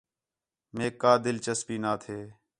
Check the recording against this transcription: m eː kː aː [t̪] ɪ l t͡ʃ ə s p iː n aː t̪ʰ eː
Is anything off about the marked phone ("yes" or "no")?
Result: yes